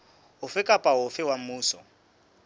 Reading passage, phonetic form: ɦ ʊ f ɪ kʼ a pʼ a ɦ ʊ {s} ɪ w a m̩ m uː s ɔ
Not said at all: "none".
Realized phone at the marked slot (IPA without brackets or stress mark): f